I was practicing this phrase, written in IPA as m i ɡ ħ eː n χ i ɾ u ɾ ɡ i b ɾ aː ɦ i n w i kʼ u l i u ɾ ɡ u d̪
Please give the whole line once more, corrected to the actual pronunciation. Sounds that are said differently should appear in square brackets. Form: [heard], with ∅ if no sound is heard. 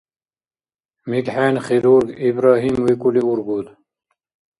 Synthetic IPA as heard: m i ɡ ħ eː n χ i ɾ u ɾ ɡ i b ɾ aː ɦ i [m] w i [k] u l i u ɾ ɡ u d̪